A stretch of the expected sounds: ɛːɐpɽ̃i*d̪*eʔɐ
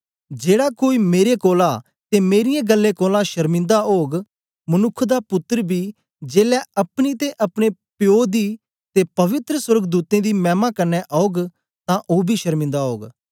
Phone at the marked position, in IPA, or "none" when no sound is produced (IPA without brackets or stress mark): t̪